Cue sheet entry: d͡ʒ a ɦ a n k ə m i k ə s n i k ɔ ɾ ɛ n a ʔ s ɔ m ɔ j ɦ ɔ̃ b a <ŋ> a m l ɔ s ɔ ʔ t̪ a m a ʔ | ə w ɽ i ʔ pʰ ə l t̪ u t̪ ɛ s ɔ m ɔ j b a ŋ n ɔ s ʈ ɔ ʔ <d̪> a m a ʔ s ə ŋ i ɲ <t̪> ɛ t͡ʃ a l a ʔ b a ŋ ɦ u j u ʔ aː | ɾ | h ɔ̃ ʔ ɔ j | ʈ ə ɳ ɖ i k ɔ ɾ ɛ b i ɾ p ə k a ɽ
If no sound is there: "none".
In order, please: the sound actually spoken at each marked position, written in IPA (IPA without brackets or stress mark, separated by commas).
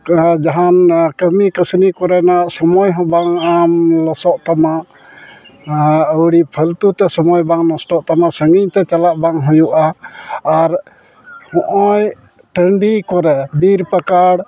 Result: ŋ, t̪, t̪